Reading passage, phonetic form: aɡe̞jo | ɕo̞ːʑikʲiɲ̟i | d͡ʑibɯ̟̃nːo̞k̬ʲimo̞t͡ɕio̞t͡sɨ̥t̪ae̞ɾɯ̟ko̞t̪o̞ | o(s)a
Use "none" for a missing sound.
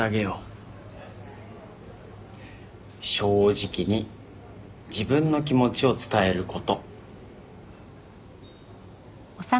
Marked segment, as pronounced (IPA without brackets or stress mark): s